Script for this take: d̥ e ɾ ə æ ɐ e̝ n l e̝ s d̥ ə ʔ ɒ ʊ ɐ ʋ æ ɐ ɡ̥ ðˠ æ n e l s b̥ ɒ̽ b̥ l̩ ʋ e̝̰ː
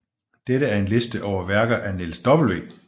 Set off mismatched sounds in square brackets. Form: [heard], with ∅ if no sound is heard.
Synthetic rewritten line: d̥ e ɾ ə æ ɐ e̝ n l e̝ s d̥ ə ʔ ɒ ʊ ɐ ʋ æ ɐ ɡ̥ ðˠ æ n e l s [d̥] ɒ̽ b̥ l̩ ʋ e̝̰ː